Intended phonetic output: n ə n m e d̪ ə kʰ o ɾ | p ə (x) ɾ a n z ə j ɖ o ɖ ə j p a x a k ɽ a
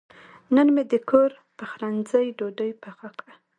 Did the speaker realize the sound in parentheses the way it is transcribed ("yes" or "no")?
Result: yes